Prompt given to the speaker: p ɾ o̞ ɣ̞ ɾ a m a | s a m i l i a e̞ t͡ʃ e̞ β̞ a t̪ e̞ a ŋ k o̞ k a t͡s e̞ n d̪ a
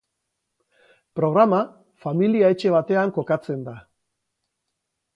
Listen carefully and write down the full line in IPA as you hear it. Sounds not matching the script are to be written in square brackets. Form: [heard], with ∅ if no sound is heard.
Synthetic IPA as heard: p ɾ o̞ ɣ̞ ɾ a m a | [f] a m i l i a e̞ t͡ʃ e̞ β̞ a t̪ e̞ a ŋ k o̞ k a t͡s e̞ n d̪ a